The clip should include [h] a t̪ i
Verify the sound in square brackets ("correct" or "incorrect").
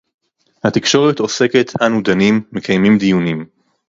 correct